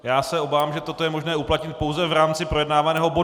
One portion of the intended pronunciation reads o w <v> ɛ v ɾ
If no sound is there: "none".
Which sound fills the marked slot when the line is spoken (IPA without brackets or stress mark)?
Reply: z